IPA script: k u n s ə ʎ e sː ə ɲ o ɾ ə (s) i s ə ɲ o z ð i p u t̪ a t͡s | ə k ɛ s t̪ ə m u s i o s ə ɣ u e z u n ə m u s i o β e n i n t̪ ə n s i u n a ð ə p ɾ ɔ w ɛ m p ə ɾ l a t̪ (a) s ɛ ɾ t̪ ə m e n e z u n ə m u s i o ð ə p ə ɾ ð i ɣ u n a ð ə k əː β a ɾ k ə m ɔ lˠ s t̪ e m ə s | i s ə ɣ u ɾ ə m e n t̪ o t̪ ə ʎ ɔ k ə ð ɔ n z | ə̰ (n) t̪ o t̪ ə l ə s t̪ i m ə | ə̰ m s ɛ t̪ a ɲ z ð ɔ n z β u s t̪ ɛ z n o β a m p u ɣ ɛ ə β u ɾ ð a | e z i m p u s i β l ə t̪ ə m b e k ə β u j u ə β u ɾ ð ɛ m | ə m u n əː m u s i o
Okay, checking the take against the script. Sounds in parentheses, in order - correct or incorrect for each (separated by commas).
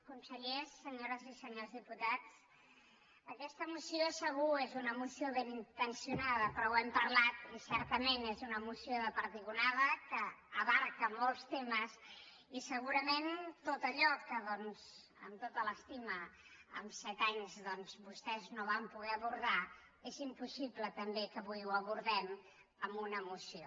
incorrect, incorrect, incorrect